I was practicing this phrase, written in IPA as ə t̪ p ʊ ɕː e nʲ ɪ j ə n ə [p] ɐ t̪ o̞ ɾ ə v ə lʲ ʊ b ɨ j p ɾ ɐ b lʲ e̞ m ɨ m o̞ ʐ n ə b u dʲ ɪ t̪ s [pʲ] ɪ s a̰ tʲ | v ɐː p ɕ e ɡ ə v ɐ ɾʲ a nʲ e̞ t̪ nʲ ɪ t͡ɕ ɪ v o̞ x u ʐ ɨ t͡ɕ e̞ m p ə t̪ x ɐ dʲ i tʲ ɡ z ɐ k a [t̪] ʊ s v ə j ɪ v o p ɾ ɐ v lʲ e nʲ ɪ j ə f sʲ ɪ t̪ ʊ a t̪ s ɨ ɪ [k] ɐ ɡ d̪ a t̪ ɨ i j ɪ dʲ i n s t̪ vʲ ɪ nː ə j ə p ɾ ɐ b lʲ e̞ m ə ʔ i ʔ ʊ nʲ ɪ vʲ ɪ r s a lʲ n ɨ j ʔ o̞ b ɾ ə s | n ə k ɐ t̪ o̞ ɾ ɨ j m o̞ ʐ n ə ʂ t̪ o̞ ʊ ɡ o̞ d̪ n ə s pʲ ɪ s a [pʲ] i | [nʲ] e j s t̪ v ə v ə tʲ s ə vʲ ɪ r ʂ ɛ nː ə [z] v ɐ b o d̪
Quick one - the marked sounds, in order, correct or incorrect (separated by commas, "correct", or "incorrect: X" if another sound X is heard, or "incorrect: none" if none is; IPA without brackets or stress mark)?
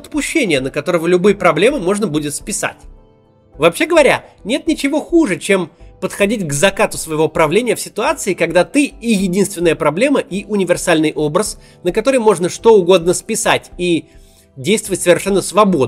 incorrect: k, correct, correct, correct, incorrect: tʲ, incorrect: dʲ, incorrect: s